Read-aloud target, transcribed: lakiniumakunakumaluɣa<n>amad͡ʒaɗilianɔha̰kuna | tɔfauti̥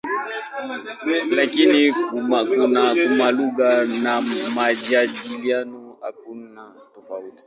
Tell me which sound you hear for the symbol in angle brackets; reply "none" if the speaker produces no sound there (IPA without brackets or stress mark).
n